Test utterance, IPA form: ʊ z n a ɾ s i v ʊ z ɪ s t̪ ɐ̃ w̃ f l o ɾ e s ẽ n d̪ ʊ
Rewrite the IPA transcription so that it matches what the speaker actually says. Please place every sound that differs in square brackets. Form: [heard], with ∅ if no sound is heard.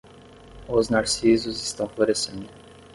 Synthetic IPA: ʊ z n a ɾ s i [z] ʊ z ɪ s t̪ ɐ̃ w̃ f l o ɾ e s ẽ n d̪ ʊ